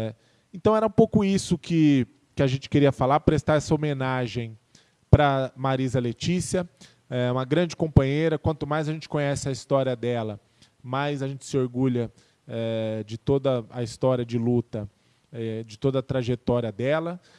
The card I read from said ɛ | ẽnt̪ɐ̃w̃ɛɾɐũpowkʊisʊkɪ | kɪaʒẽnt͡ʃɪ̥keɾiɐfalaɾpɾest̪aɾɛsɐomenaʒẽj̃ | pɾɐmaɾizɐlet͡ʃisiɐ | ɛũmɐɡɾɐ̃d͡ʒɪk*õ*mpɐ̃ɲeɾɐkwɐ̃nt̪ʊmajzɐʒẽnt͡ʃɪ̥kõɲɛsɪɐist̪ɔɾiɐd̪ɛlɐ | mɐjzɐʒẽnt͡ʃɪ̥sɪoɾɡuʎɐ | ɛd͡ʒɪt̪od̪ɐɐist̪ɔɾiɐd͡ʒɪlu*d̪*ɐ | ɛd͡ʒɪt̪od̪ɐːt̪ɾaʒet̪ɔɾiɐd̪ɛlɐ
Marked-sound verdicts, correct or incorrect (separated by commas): correct, incorrect